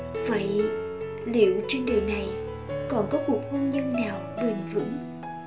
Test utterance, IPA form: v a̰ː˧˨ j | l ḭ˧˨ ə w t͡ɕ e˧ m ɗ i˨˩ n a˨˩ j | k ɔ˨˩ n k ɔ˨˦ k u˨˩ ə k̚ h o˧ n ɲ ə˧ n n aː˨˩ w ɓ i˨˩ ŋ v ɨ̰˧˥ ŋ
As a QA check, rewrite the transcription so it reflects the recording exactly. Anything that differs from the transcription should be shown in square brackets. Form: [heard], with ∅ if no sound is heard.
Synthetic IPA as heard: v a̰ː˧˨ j | l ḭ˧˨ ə w t͡ɕ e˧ [n] ɗ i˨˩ n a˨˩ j | k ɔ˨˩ n k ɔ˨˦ k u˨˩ ə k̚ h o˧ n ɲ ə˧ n n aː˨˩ w ɓ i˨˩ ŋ v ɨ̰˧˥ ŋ

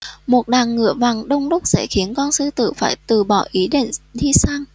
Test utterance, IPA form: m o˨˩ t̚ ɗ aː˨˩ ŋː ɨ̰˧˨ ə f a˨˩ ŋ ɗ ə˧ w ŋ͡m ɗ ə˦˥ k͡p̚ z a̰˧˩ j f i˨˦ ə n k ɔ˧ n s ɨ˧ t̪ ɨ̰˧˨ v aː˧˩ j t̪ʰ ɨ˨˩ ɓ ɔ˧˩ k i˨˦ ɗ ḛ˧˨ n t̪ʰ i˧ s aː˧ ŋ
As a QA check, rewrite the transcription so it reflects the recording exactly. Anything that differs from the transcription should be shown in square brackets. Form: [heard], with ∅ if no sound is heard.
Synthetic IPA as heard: m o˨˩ t̚ ɗ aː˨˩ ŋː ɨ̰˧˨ ə [v] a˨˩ ŋ ɗ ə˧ w ŋ͡m ɗ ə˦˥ k͡p̚ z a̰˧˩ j [x] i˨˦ ə n k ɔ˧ n s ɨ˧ t̪ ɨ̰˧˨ [f] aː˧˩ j [t̪] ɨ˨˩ ɓ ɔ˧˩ [ʔ] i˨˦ ɗ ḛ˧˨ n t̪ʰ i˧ s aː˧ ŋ

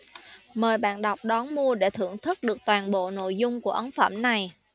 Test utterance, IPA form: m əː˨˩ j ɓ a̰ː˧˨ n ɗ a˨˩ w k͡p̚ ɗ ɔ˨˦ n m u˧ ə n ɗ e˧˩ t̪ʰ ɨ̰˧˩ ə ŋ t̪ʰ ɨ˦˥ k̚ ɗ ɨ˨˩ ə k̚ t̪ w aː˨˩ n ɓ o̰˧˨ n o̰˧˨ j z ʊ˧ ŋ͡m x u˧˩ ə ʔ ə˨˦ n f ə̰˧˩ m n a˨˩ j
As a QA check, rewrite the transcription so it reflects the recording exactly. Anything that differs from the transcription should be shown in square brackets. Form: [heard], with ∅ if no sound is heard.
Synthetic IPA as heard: m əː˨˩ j ɓ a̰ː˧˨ n ɗ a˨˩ w k͡p̚ ɗ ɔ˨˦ n m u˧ ə [∅] ɗ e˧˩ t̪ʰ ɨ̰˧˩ ə ŋ t̪ʰ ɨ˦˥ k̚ ɗ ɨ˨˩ ə k̚ t̪ w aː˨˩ n ɓ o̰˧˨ n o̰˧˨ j z ʊ˧ ŋ͡m [k] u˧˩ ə ʔ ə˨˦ n f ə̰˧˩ m n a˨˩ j

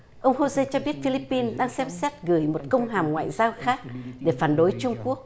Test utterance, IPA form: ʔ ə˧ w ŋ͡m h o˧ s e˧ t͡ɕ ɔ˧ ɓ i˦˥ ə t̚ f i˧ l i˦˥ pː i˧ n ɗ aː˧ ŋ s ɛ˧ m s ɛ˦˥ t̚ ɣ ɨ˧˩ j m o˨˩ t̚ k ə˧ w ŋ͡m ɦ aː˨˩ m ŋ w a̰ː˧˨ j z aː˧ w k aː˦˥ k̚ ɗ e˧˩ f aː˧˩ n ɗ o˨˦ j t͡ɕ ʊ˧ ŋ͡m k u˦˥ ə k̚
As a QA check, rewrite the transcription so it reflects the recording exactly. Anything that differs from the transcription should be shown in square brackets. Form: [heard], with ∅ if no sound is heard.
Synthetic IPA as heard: ʔ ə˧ w ŋ͡m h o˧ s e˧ t͡ɕ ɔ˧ ɓ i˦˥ ə t̚ f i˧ l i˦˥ pː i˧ n ɗ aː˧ ŋ s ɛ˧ m s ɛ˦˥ t̚ ɣ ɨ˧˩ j m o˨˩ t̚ k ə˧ w ŋ͡m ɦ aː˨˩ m ŋ w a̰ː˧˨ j z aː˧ w [x] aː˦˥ k̚ ɗ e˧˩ f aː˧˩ n ɗ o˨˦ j t͡ɕ ʊ˧ ŋ͡m k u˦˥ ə k̚

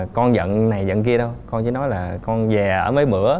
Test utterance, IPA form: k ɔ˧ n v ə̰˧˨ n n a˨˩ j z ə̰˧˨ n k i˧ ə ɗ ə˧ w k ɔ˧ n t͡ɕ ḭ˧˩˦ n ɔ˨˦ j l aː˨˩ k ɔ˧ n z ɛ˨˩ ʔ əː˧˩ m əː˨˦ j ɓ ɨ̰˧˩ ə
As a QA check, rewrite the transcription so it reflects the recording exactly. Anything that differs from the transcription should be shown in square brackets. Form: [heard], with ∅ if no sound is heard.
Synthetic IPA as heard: k ɔ˧ n [z] ə̰˧˨ n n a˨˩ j z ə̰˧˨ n k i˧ ə ɗ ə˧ w k ɔ˧ n t͡ɕ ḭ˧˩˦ n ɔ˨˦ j l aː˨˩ k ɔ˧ n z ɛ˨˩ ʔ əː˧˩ m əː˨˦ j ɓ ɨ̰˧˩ ə

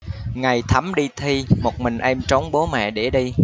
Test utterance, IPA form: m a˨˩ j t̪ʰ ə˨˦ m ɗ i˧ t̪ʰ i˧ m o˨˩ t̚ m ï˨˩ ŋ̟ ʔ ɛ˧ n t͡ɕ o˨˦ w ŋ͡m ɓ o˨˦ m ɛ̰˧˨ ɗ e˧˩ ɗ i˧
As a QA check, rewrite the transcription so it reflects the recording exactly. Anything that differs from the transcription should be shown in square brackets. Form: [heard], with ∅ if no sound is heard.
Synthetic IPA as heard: [ŋ] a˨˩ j t̪ʰ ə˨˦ m ɗ i˧ t̪ʰ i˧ m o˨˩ t̚ m ï˨˩ ŋ̟ ʔ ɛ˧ [m] t͡ɕ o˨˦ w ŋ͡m ɓ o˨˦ m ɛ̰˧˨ ɗ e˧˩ ɗ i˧

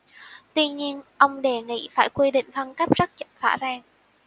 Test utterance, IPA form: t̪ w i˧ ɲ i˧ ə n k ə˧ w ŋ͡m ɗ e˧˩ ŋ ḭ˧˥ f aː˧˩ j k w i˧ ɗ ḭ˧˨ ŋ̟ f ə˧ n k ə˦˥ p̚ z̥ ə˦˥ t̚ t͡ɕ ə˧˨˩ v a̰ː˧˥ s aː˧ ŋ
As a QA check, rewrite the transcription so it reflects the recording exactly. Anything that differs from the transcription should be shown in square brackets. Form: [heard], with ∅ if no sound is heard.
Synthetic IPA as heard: t̪ w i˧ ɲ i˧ ə n [ʔ] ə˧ w ŋ͡m ɗ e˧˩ ŋ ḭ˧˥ f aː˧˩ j k w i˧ ɗ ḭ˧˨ ŋ̟ f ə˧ n k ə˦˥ p̚ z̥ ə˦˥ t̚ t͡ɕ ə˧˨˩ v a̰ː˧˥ [z] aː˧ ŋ

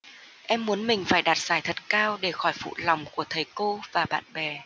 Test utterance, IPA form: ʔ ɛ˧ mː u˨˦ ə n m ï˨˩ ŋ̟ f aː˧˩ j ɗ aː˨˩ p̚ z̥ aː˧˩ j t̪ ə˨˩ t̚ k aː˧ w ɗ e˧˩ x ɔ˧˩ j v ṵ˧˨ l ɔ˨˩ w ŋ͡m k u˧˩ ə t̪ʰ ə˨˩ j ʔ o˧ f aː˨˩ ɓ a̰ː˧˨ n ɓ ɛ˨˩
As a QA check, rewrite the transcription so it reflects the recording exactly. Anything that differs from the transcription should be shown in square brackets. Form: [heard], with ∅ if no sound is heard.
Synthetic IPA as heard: ʔ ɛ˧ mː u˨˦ ə n m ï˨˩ ŋ̟ f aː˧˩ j ɗ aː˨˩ [t̚] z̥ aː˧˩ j [t̪ʰ] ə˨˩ t̚ k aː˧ w ɗ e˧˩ x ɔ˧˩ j [f] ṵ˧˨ l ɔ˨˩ w ŋ͡m k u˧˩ ə t̪ʰ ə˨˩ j [k] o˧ [v] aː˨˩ ɓ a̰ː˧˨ n ɓ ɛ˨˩

